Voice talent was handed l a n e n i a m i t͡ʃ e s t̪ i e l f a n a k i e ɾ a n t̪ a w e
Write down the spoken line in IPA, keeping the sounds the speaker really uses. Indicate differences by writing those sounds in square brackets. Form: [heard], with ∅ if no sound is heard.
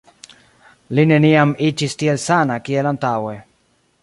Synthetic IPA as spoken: l [i] n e n i a m i t͡ʃ [i] s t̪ i e l [s] a n a k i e [l] a n t̪ a w e